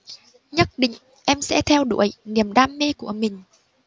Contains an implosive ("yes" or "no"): yes